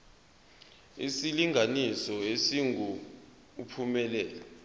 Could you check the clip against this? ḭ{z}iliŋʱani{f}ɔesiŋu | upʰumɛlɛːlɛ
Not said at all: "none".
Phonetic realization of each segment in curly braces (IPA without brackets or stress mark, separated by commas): s, s